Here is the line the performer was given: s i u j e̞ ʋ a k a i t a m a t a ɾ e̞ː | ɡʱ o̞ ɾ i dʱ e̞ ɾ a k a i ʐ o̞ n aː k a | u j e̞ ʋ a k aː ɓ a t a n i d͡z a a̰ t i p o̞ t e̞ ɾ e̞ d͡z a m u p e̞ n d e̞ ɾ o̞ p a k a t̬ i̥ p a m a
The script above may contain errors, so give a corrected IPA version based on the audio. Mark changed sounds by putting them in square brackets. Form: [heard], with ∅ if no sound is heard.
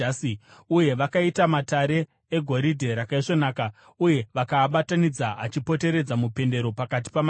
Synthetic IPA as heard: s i u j e̞ ʋ a k a i t a m a t a ɾ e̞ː | ɡʱ o̞ ɾ i dʱ e̞ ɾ a k a i ʐ o̞ n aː k a | u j e̞ ʋ a k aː ɓ a t a n i d͡z a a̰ [t͡ʃ] i p o̞ t e̞ ɾ e̞ d͡z a m u p e̞ n d e̞ ɾ o̞ p a k a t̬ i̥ p a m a